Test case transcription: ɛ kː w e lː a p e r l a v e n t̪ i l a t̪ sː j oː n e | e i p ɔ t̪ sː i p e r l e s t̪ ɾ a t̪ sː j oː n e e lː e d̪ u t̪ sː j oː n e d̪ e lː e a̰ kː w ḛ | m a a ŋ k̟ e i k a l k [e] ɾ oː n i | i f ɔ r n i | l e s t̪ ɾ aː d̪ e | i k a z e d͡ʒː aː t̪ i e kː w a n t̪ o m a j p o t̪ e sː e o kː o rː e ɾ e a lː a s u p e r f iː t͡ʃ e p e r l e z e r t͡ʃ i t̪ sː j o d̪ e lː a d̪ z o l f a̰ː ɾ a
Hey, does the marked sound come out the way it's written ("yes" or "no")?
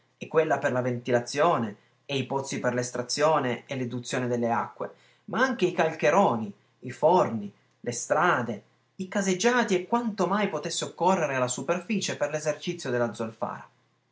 yes